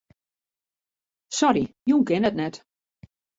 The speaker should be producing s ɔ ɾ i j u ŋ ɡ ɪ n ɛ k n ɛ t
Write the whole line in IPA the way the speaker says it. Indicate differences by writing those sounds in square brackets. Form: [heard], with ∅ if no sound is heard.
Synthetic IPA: s ɔ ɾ i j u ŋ [k] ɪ n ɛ [t] n ɛ t